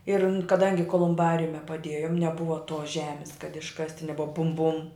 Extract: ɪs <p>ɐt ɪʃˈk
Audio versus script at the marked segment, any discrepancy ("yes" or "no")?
yes